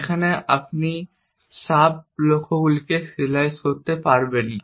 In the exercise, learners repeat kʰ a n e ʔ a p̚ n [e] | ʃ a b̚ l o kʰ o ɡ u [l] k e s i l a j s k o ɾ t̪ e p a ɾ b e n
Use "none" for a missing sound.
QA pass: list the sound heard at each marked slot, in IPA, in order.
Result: i, l

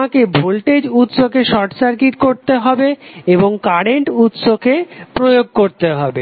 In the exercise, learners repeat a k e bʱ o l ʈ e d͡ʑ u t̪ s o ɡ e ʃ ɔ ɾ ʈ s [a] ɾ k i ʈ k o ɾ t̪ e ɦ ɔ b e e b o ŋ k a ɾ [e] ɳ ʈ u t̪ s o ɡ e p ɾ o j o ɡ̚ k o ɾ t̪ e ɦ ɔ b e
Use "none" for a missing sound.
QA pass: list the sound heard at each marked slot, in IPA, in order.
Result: a, e

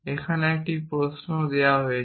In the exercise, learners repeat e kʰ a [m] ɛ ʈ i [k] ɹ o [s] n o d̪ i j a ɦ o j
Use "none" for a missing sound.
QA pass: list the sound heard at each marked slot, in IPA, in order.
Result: n, p, s

